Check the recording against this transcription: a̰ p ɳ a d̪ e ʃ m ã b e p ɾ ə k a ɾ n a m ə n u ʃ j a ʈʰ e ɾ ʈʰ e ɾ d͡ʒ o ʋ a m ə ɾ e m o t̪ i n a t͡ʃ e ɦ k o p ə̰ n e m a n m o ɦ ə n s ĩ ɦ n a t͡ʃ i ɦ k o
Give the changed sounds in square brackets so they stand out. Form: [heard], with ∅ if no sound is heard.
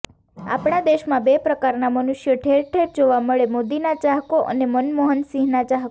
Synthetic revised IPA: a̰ p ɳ a d̪ e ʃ m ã b e p ɾ ə k a ɾ n a m ə n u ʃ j [ə] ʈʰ e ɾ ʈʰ e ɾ d͡ʒ o ʋ a m ə [ɭ] e m o [d̪] i n a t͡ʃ [a] ɦ k o [ʔ] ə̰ n e m [ə] n m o ɦ ə n s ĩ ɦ n a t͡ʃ [a] ɦ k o